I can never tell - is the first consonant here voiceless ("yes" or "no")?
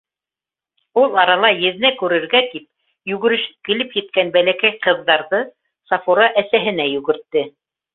no